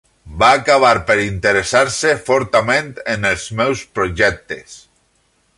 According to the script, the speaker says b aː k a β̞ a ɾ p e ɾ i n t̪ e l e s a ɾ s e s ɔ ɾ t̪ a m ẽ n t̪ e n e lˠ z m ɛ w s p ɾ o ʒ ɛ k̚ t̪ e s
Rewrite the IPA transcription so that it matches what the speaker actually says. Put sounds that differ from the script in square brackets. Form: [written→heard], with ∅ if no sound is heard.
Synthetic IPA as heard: b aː k a β̞ a ɾ p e ɾ i n t̪ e [l→ɾ] e s a ɾ s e [s→f] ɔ ɾ t̪ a m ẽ n t̪ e n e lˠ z m ɛ w s p ɾ o ʒ ɛ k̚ t̪ e s